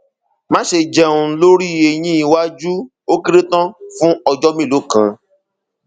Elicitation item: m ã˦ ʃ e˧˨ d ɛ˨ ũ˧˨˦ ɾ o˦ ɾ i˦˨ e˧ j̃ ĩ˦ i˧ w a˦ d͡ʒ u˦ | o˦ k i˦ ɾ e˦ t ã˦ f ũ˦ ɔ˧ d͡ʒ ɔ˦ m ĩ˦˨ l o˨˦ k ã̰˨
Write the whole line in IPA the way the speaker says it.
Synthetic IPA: m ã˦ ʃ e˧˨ d͡ʒ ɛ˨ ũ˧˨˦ l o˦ ɾ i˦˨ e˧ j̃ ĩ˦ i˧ w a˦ d͡ʒ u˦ | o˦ k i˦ ɾ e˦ t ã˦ f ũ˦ ɔ˧ d͡ʒ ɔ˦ m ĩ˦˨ l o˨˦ k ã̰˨